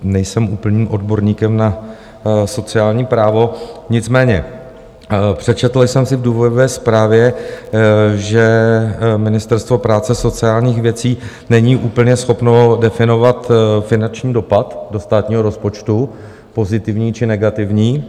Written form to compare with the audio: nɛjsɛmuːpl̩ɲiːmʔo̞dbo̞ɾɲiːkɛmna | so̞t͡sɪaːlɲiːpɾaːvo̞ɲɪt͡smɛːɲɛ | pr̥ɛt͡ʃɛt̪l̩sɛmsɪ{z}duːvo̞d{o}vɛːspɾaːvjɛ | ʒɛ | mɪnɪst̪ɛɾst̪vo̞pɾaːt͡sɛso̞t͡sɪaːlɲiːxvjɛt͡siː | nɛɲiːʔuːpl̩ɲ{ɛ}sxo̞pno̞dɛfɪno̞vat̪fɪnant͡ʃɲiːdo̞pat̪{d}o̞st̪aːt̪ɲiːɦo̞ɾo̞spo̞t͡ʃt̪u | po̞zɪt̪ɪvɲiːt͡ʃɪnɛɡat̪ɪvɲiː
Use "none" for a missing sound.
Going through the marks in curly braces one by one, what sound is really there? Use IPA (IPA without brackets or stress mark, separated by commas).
v, o, ɛ, d